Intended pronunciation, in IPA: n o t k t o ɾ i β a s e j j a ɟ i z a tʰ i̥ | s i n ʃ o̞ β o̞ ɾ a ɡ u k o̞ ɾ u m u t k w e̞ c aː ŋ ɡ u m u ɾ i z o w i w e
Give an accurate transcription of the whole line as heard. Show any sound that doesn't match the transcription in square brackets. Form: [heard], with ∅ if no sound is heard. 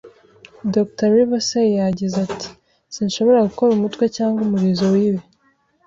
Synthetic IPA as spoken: [d] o [∅] k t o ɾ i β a s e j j a ɟ i z a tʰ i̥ | s i n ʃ o̞ β o̞ ɾ a ɡ u k o̞ ɾ u m u t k w e̞ c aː ŋ ɡ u m u ɾ i z o w i w e